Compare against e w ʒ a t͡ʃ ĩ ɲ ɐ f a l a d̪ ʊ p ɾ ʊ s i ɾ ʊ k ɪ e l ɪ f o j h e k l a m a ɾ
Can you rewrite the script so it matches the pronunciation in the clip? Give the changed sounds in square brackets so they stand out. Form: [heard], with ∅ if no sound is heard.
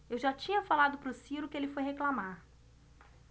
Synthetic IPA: e w ʒ a t͡ʃ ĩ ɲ ɐ f a l a d̪ ʊ p ɾ ʊ s i ɾ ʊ k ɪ e l ɪ f o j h e k l a m a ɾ